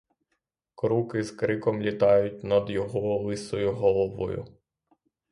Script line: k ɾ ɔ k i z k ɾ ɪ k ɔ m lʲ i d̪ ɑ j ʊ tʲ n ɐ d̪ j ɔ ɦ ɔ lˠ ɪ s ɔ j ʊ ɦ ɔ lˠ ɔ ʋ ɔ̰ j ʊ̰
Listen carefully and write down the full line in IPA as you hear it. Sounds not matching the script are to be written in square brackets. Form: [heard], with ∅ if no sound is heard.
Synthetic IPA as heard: k ɾ [u] k [ɪ] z k ɾ ɪ k ɔ m lʲ i [t̪] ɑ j ʊ tʲ n ɐ d̪ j ɔ ɦ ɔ lˠ ɪ s ɔ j ʊ ɦ ɔ lˠ ɔ ʋ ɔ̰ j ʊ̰

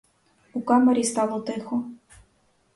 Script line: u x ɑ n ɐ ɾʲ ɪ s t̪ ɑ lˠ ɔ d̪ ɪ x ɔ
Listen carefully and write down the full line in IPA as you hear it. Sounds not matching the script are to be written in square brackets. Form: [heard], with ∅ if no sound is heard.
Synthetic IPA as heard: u [k] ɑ [m] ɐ ɾʲ [i] s t̪ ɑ lˠ ɔ [t̪] ɪ x ɔ

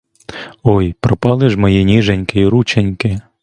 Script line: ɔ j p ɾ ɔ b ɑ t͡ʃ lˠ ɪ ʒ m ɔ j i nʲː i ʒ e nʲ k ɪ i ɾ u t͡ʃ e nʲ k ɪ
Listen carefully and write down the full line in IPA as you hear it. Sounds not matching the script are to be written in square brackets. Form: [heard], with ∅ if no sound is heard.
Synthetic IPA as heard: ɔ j p ɾ ɔ [p] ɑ [∅] lˠ ɪ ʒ m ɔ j i [nʲ] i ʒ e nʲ k ɪ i ɾ u t͡ʃ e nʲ k ɪ

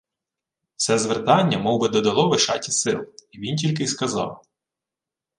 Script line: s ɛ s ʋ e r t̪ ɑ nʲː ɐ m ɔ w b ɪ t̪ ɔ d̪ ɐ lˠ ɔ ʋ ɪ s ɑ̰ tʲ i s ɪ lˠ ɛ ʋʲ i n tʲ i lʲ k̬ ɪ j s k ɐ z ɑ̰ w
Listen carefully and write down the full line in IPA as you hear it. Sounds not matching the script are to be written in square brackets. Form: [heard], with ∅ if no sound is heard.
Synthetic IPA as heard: s ɛ [z] ʋ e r t̪ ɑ nʲː ɐ m ɔ w b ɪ [d̪] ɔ d̪ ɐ lˠ ɔ ʋ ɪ [ʃ] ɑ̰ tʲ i s ɪ lˠ [i] ʋʲ i n tʲ i lʲ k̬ ɪ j s k ɐ z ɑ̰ w

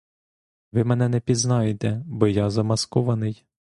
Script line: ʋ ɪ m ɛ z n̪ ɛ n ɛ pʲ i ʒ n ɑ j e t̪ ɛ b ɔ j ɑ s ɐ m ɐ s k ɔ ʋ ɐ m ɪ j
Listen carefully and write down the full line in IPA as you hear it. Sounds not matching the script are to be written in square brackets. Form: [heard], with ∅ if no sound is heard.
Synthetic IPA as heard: ʋ ɪ m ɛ [∅] n̪ ɛ n ɛ pʲ i [z] n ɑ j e t̪ ɛ b ɔ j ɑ [z] ɐ m ɐ s k ɔ ʋ ɐ [n] ɪ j

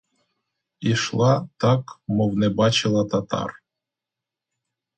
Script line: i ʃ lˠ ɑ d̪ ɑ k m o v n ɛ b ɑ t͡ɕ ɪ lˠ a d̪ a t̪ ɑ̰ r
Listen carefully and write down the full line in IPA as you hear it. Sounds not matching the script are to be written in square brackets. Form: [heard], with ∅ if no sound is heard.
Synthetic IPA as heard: i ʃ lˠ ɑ [t̪] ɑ k m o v n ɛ b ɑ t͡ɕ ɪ lˠ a [t̪] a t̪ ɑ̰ r

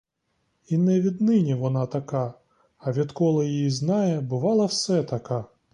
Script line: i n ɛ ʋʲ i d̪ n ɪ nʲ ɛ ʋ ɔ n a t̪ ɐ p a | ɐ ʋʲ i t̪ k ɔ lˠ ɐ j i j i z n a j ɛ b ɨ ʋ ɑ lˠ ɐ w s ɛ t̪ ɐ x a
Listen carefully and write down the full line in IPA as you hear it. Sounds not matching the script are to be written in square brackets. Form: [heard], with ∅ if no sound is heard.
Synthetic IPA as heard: i n ɛ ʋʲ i d̪ n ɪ nʲ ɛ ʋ ɔ n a t̪ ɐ [k] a | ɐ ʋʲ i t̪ k ɔ lˠ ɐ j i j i z n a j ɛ b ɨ ʋ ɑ lˠ ɐ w s ɛ t̪ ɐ [k] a

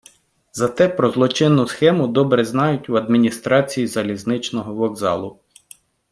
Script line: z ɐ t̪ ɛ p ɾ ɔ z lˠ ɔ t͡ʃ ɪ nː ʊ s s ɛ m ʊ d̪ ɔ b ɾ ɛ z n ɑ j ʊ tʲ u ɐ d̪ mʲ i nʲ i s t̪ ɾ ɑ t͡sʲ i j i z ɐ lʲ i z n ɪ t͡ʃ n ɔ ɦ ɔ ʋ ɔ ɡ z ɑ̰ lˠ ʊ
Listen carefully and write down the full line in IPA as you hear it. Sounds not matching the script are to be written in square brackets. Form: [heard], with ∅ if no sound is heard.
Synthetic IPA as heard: z ɐ t̪ ɛ p ɾ ɔ z lˠ ɔ t͡ʃ ɪ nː ʊ s [x] ɛ m ʊ d̪ ɔ b ɾ ɛ z n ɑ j ʊ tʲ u ɐ d̪ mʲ i nʲ i s t̪ ɾ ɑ t͡sʲ i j i z ɐ lʲ i z n ɪ t͡ʃ n ɔ ɦ ɔ ʋ ɔ ɡ z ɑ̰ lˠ ʊ

